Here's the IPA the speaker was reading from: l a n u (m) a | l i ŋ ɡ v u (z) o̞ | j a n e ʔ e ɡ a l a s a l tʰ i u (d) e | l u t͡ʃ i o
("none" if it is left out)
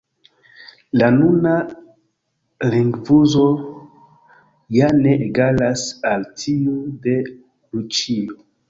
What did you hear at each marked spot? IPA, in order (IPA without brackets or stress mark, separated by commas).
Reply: n, z, d